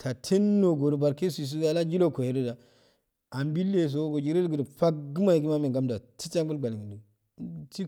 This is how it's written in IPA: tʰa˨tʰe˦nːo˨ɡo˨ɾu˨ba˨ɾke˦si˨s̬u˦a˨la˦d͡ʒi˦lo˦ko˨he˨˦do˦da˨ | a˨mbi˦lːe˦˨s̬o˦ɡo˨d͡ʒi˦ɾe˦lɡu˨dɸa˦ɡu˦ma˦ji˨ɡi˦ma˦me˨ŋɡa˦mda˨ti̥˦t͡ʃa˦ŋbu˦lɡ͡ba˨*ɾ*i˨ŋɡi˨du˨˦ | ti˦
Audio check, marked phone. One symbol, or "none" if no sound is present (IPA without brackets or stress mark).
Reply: l